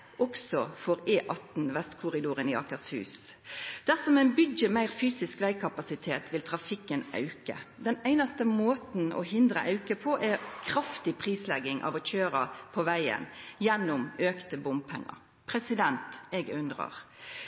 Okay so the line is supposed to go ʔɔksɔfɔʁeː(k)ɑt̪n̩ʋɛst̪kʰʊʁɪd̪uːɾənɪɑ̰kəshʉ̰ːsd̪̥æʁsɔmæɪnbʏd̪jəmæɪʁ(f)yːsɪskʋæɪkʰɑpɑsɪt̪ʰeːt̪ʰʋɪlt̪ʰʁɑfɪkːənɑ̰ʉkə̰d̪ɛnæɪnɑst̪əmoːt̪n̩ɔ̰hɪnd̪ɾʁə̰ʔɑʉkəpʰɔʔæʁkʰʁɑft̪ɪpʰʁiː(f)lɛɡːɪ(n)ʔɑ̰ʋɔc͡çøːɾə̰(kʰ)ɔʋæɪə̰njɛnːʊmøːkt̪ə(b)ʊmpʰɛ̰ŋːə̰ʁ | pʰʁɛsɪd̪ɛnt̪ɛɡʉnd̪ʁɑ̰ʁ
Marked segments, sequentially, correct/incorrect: incorrect, correct, incorrect, incorrect, incorrect, correct

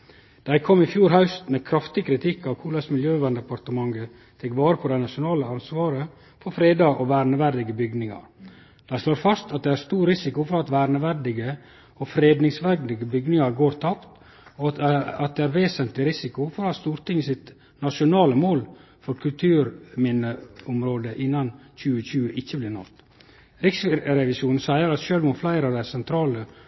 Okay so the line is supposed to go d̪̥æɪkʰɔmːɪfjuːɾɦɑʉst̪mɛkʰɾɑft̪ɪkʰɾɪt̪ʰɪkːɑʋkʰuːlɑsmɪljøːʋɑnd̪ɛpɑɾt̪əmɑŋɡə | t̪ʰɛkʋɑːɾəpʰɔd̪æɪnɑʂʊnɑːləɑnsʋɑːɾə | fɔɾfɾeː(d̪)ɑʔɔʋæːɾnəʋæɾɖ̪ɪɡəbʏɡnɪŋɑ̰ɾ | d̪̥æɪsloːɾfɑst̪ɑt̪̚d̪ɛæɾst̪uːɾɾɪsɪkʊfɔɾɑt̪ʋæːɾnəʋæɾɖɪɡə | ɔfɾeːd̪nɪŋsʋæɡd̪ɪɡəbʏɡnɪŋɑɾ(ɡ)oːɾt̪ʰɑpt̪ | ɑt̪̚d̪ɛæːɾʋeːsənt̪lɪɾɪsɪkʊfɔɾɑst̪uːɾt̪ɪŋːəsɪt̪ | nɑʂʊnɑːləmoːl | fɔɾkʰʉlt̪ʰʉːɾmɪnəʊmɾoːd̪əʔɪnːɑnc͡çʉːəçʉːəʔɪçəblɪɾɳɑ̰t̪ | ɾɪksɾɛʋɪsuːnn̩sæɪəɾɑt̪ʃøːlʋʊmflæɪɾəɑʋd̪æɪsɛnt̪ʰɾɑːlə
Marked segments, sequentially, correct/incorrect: correct, correct

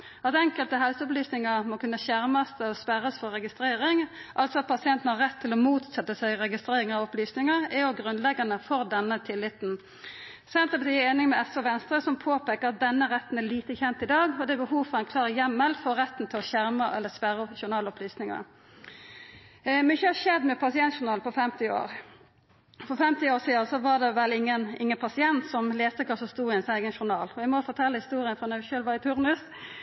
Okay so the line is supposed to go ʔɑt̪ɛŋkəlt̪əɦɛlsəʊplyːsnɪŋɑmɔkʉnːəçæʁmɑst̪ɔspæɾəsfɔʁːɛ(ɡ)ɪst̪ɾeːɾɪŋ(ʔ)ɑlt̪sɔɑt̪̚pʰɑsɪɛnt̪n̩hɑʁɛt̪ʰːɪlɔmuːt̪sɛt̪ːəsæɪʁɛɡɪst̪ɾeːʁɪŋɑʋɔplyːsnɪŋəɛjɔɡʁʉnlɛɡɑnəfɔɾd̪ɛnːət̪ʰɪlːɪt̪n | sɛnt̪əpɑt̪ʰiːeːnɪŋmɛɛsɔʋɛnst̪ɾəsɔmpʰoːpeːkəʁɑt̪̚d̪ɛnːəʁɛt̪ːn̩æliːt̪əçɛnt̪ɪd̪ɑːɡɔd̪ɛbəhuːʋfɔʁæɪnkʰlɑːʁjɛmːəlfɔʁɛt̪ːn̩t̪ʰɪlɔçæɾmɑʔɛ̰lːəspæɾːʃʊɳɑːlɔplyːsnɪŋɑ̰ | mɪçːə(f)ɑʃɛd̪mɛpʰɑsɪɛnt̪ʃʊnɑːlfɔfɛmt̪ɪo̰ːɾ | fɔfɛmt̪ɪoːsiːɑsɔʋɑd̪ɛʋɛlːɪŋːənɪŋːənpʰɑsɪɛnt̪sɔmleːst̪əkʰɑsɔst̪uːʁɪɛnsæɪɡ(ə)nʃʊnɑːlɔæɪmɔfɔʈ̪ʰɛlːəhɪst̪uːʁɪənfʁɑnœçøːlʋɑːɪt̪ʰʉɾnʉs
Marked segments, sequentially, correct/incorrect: correct, correct, incorrect, correct

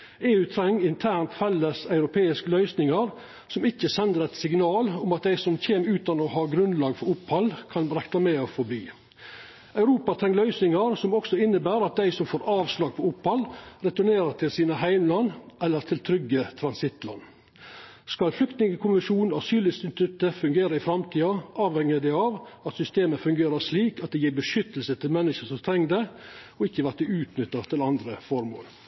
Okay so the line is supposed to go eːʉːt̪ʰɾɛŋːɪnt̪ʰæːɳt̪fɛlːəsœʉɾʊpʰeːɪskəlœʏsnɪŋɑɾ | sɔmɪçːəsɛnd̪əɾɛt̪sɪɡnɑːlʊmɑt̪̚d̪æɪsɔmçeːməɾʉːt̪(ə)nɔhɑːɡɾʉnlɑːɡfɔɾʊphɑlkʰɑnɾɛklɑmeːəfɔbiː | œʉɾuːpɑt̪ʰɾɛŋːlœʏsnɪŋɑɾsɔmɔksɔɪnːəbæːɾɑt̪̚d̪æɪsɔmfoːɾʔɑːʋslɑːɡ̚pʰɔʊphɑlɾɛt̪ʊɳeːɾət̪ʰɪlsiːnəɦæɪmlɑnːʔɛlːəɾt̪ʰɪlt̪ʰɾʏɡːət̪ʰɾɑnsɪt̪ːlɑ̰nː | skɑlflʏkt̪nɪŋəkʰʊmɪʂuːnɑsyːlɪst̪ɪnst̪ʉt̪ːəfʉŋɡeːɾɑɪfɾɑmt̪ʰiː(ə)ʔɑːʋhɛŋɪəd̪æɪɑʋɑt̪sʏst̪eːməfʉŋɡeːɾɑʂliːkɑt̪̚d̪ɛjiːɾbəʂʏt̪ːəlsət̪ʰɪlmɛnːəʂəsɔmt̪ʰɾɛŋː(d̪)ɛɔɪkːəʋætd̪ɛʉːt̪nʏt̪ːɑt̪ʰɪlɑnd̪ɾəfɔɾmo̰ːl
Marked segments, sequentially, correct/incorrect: incorrect, incorrect, correct

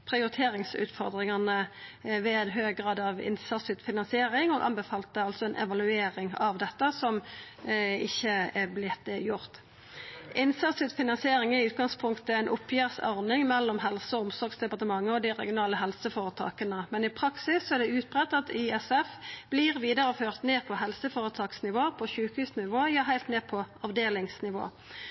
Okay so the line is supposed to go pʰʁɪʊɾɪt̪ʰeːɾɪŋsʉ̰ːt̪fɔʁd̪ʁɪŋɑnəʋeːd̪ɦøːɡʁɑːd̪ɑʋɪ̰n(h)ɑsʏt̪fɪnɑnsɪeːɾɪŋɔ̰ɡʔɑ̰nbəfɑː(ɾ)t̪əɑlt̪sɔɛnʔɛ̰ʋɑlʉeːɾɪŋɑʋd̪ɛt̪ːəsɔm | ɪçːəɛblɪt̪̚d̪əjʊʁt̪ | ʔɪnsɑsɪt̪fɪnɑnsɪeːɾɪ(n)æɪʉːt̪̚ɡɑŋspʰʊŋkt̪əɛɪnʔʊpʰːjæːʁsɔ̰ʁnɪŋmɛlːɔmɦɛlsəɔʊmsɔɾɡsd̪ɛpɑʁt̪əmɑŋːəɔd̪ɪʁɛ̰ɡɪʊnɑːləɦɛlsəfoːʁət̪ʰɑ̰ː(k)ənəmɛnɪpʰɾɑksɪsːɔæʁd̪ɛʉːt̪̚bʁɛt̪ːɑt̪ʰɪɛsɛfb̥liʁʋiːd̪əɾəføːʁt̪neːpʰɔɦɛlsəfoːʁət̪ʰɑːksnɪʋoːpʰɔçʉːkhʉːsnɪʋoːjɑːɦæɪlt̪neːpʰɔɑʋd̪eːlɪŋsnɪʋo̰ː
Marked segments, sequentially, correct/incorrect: incorrect, incorrect, incorrect, correct

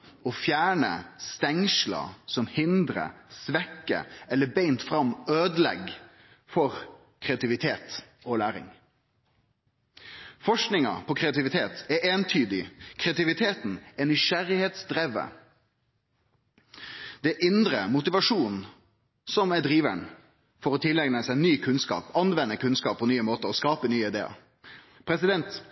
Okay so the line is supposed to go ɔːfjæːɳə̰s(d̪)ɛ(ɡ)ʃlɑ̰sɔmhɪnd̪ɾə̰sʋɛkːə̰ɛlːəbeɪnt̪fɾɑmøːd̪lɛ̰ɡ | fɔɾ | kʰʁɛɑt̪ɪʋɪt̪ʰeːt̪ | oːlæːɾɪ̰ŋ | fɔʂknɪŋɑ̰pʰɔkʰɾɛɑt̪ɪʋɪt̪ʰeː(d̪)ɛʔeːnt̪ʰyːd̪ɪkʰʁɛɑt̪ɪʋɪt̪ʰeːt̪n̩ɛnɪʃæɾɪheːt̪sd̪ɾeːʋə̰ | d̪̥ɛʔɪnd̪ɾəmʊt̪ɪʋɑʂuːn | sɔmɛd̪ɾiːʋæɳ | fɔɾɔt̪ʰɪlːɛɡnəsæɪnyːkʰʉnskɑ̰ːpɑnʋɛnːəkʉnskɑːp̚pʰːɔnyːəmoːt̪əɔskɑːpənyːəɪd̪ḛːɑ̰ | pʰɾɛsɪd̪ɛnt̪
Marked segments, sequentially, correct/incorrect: incorrect, incorrect, incorrect

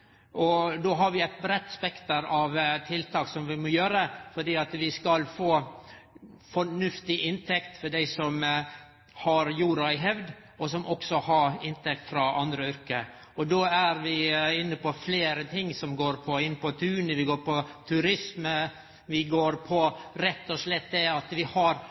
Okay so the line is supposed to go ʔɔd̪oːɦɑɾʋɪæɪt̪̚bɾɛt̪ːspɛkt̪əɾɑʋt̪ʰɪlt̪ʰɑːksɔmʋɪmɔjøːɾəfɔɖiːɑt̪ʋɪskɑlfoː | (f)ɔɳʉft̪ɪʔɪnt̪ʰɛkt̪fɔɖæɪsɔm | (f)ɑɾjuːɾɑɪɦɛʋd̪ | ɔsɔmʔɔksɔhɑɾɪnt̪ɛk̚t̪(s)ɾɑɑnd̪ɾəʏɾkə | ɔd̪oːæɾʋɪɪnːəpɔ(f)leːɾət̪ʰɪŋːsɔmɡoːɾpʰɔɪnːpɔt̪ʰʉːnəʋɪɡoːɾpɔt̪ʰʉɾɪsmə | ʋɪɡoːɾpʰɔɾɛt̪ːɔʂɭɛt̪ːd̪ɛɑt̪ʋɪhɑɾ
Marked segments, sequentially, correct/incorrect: correct, incorrect, incorrect, correct

